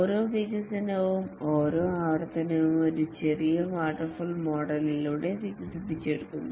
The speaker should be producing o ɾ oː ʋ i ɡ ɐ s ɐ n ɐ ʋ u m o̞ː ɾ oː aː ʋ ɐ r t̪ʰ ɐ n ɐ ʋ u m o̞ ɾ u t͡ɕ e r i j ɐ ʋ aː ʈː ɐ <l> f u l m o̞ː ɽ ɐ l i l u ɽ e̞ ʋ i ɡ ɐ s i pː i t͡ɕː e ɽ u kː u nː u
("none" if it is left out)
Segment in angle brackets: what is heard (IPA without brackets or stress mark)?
r